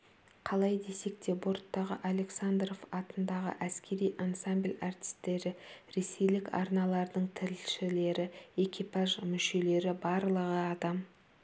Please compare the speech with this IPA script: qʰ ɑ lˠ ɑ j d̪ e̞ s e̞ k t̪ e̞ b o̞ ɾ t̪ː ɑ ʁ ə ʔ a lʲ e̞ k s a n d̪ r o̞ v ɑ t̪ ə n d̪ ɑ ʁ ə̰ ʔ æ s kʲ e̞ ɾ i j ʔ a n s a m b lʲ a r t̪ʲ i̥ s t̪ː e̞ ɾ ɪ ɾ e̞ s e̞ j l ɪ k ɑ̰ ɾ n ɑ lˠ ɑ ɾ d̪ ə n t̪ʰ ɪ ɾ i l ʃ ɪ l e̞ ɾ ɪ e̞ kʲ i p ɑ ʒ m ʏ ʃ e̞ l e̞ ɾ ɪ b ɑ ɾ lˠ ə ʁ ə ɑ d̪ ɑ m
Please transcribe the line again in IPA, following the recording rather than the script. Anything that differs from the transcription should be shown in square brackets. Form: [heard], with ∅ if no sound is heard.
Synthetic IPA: qʰ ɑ lˠ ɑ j d̪ e̞ s e̞ k t̪ e̞ b o̞ ɾ t̪ː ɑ ʁ ə ʔ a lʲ e̞ k s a n d̪ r o̞ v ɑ t̪ ə n d̪ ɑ ʁ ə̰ ʔ æ s kʲ e̞ ɾ i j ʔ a n s a m b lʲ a r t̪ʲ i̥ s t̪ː e̞ ɾ ɪ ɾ e̞ s e̞ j l ɪ k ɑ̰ ɾ n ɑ lˠ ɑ ɾ d̪ ə [ɴ] t̪ʰ ɪ ɾ [ɪ] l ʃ ɪ l e̞ ɾ ɪ e̞ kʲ i p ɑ ʒ m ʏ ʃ e̞ l e̞ ɾ ɪ b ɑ ɾ lˠ ə ʁ ə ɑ d̪ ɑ m